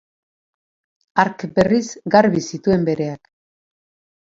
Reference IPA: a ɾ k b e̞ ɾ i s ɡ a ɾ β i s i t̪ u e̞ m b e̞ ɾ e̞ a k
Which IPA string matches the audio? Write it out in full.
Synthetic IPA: a ɾ k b e̞ r i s ɡ a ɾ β i s i t̪ u e̞ m b e̞ ɾ e̞ a k